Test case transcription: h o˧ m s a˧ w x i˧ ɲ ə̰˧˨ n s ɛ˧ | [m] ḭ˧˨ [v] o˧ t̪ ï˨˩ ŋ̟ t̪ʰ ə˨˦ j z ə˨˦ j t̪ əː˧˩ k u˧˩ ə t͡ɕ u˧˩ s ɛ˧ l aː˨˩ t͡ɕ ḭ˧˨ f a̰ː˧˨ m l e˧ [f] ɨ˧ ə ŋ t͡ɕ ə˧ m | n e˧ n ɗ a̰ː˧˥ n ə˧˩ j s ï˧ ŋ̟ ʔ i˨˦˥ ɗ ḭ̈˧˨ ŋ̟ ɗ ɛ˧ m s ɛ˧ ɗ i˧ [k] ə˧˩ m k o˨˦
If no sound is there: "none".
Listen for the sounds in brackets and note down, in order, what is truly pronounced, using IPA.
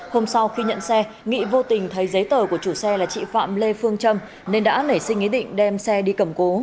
ŋ, v, f, k

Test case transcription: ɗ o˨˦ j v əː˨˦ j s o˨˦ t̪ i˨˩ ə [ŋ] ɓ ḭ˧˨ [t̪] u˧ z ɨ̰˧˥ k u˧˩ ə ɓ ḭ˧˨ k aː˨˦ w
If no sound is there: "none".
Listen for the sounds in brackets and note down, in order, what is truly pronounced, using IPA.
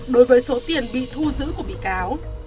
n, t̪ʰ

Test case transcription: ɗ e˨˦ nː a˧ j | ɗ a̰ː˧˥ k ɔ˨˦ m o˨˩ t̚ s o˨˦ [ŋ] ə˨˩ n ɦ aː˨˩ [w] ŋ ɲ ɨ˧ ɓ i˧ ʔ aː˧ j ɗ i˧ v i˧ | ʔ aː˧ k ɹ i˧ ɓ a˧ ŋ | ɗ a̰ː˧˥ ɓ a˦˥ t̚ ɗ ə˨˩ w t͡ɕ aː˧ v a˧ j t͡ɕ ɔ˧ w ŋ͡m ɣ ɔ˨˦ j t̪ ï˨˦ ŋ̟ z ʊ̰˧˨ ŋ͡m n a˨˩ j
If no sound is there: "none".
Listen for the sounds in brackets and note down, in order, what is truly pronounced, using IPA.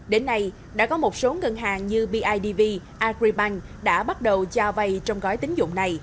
ŋ, none

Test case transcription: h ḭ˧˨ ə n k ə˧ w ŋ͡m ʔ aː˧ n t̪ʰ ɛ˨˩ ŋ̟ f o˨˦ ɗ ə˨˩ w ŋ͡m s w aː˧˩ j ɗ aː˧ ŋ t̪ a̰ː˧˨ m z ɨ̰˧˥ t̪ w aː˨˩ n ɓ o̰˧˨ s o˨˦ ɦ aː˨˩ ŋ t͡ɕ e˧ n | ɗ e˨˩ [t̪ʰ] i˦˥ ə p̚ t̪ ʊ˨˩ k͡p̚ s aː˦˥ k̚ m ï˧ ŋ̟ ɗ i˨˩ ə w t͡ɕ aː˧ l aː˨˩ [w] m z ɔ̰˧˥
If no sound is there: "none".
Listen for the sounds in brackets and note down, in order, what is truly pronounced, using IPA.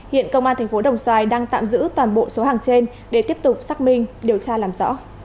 t̪, none

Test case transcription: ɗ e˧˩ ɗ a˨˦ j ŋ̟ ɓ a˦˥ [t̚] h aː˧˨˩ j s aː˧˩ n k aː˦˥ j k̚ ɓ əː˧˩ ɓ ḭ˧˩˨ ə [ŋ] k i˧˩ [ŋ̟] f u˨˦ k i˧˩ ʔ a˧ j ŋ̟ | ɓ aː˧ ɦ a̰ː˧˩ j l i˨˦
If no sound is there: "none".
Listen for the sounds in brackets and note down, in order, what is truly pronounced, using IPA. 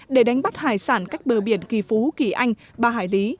t̚, n, none

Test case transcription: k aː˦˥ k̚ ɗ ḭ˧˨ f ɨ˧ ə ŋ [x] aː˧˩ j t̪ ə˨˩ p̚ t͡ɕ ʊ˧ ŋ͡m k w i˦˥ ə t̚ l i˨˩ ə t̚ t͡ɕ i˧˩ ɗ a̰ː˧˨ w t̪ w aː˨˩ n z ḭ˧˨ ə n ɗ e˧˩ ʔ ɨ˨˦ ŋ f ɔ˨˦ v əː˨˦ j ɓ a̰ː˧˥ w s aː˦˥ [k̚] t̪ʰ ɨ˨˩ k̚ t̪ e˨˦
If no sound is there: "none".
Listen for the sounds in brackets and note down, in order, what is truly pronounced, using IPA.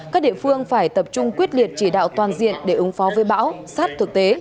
f, t̚

